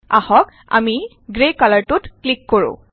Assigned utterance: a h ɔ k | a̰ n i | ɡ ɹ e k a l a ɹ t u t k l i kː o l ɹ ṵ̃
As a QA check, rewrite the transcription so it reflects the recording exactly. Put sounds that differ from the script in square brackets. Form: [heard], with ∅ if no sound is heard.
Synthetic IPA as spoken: a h ɔ k | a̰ [m] i | ɡ ɹ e k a l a ɹ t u t k l i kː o [∅] ɹ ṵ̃